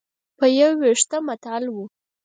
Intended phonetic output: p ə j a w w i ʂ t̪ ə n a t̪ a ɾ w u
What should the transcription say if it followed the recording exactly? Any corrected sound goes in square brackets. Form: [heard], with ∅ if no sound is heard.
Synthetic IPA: p ə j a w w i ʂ t̪ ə [m] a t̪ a [l] w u